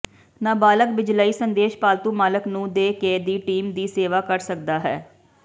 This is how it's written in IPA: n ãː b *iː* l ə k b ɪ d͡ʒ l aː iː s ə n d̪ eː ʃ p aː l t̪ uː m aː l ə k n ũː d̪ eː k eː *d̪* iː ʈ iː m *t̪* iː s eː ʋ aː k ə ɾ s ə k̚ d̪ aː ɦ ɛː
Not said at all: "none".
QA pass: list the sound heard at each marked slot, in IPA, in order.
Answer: aː, d̪, d̪

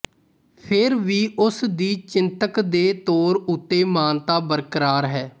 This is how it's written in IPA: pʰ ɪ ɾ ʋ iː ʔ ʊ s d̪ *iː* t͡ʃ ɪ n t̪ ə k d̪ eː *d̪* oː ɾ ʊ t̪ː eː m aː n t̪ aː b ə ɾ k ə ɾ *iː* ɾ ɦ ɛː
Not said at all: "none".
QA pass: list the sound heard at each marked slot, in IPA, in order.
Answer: iː, t̪, aː

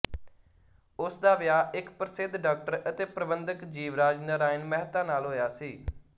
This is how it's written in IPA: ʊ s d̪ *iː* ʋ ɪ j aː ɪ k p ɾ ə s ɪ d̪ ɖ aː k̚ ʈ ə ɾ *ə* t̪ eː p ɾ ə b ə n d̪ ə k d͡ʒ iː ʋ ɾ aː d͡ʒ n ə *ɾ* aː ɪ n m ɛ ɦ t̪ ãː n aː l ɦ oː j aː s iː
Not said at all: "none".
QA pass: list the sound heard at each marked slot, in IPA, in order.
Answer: aː, ə, ɾ

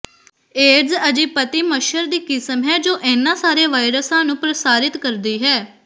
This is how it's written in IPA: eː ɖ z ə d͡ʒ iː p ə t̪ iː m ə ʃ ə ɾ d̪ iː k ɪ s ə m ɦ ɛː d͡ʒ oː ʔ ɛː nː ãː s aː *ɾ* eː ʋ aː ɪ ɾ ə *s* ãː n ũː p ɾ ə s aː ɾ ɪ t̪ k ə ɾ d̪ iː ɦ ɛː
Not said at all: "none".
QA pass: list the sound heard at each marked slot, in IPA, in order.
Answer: ɾ, s

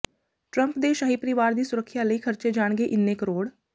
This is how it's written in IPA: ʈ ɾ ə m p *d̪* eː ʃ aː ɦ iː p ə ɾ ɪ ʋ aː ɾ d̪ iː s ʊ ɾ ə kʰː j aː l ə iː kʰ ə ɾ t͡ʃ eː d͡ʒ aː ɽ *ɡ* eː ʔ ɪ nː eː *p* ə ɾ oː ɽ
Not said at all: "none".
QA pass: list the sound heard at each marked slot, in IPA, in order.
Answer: d̪, ɡ, k

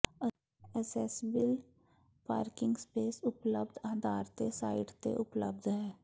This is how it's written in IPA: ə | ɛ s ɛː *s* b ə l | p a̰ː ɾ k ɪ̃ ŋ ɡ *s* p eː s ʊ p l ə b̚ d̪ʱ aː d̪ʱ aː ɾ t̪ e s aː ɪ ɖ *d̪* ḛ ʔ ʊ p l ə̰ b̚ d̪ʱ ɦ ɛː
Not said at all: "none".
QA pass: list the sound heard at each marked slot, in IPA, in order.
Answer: s, s, t̪

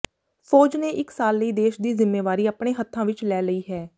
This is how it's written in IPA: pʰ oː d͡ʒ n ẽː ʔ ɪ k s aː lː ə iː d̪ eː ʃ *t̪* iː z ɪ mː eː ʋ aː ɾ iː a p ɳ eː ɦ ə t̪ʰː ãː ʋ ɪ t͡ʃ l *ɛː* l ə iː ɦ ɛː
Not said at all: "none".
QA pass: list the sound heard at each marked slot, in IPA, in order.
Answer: d̪, ɛː

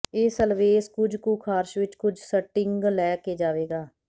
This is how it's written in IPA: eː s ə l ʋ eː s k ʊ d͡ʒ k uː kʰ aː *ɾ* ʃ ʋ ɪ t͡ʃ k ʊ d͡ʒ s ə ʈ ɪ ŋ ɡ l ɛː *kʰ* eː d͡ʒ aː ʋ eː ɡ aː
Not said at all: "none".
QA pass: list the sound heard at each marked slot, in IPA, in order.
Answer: ɾ, k

